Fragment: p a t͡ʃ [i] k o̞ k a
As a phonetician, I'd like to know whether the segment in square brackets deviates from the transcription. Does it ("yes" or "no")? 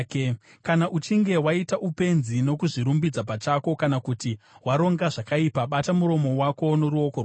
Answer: yes